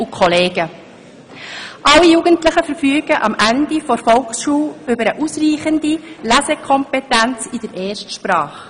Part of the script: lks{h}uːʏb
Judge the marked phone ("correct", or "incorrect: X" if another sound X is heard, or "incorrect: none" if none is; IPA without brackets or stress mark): incorrect: ʃ